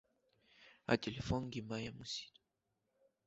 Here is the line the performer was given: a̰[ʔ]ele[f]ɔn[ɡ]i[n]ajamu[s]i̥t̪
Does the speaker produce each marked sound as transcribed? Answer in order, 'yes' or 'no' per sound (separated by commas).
no, yes, yes, no, yes